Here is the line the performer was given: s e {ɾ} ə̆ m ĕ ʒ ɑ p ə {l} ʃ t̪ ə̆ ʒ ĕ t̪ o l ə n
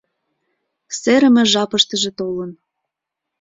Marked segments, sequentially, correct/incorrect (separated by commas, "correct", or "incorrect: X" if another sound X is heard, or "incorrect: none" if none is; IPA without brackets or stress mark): correct, incorrect: none